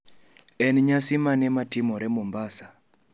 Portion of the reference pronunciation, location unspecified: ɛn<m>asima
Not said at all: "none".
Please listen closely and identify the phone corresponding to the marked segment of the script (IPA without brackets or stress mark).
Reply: ɲ